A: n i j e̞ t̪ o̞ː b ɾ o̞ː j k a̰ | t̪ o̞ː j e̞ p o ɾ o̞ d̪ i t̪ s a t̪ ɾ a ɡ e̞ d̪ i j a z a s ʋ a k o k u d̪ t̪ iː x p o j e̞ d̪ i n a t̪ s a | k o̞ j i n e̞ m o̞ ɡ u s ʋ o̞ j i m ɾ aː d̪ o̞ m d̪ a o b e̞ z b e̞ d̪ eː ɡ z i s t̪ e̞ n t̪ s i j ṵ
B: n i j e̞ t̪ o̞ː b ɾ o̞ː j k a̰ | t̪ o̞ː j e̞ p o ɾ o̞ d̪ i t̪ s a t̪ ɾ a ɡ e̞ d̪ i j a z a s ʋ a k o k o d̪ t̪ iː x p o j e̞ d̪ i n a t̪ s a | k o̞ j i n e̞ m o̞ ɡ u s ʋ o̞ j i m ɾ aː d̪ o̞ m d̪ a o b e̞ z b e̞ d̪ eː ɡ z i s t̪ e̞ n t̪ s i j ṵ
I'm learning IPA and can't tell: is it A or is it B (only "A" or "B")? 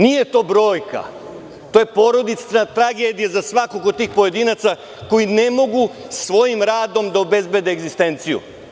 B